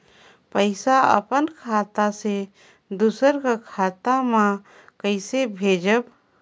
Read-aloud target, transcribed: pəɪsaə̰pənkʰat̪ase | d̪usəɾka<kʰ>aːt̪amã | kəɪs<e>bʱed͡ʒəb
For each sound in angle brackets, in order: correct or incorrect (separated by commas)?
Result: correct, correct